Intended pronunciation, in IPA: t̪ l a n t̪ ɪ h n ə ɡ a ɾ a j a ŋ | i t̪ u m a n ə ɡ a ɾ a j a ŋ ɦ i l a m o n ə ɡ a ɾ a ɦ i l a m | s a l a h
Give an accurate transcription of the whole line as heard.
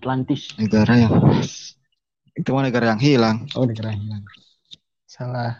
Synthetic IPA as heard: t̪ l a n t̪ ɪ s n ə ɡ a ɾ a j a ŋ | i t̪ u m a n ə ɡ a ɾ a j a ŋ ɦ i l a ŋ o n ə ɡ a ɾ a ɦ i l a ŋ | s a l a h